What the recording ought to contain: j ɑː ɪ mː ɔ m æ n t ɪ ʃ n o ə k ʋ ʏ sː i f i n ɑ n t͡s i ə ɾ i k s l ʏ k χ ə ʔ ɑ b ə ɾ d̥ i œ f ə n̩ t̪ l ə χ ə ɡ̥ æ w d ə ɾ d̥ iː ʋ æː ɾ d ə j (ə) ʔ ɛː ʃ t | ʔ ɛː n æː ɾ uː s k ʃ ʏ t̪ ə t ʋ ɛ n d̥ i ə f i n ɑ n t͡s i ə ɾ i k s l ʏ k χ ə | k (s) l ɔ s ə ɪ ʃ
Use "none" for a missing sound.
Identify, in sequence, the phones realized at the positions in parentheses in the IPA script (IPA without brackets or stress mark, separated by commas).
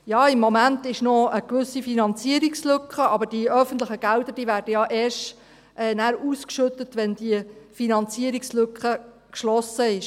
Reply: ɑ, ʃ